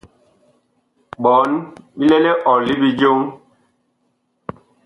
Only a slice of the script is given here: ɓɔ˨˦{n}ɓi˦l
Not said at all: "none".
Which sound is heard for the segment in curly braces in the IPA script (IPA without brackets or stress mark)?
n